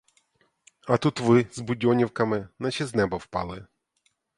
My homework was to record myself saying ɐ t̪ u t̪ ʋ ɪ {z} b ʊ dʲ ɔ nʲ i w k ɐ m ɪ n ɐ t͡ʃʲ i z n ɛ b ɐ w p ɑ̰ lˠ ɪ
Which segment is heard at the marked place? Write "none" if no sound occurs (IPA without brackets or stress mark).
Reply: z